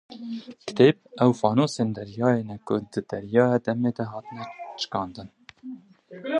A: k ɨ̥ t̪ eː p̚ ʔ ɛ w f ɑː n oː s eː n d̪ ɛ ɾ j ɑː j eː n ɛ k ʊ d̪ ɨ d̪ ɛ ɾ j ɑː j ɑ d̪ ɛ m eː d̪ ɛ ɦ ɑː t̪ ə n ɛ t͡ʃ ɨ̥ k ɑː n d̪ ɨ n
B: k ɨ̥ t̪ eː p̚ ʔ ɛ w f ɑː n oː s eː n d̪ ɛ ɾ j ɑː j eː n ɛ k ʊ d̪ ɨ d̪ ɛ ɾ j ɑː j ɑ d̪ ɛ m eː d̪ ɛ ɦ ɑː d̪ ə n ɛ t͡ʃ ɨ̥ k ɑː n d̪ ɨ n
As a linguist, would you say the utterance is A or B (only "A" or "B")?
A